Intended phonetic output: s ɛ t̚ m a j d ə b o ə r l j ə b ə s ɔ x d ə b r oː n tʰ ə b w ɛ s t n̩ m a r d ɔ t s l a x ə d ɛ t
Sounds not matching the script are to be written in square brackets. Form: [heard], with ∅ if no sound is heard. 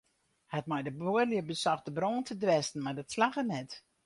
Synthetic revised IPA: [h] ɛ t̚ m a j d ə b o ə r l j ə b ə s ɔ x d ə b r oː n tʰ ə [d] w ɛ s t n̩ m a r d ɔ t s l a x ə [n] ɛ t